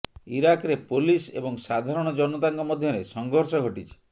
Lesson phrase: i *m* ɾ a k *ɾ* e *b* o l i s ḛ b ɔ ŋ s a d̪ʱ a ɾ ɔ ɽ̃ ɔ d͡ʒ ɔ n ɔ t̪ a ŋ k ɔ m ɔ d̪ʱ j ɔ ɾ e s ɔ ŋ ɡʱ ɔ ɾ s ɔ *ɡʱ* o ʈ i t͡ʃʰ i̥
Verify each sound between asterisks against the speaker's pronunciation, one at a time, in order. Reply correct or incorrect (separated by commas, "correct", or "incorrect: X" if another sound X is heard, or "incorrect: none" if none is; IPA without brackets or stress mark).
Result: incorrect: none, correct, incorrect: p, correct